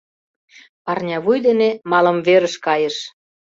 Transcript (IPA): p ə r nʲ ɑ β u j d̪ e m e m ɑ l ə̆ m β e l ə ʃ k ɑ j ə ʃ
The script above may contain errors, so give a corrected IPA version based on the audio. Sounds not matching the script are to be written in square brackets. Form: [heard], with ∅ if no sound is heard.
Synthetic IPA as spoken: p [ɑ] r nʲ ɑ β u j d̪ e [n] e m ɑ l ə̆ m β e [ɾ] ə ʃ k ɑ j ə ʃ